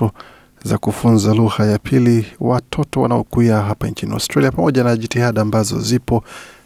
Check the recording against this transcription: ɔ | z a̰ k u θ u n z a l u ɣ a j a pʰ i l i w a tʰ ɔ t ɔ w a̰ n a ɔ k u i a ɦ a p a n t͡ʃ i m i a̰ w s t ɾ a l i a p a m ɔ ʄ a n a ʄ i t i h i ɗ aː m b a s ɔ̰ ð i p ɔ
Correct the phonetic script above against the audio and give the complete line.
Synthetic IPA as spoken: ɔ | z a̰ k u f u n z a l u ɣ a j a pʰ i l i w a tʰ ɔ t ɔ w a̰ n a ɔ k u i a ɦ a p a n t͡ʃ i n i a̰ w s t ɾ a l i a p a m ɔ ʄ a n a ʄ i t i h a ɗ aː m b a z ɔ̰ z i p ɔ